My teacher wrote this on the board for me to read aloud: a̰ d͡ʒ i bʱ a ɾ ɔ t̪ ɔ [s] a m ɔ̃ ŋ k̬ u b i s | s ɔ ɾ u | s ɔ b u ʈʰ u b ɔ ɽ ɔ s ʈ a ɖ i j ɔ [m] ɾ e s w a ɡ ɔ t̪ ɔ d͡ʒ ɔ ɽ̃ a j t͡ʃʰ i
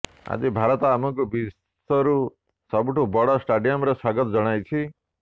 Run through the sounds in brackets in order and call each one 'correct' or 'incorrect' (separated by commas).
incorrect, correct